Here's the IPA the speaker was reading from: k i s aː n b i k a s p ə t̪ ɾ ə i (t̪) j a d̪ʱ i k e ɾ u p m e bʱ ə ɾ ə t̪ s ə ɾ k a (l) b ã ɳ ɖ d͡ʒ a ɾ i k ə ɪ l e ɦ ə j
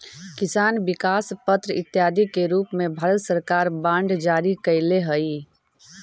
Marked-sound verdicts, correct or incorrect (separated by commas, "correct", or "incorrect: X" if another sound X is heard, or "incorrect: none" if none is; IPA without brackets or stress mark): correct, incorrect: ɾ